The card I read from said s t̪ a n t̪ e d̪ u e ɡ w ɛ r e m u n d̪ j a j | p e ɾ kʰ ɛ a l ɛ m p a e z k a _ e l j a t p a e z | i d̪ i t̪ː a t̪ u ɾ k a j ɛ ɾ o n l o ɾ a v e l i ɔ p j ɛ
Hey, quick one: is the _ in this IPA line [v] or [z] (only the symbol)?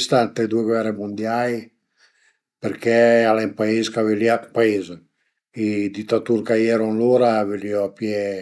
v